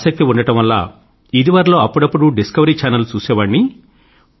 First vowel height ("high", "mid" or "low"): low